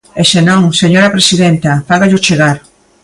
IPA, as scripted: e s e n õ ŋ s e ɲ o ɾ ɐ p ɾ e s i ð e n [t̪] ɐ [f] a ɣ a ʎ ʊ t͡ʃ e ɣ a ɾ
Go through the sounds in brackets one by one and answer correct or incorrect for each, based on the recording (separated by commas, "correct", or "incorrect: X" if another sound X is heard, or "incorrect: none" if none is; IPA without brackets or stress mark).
correct, correct